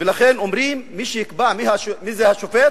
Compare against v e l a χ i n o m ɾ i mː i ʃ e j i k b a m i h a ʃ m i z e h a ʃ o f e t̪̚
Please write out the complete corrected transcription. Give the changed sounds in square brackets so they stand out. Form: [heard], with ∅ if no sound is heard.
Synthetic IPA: v e l a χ [e] n o m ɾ i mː i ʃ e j i k b a m i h a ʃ m i z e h a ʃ o f e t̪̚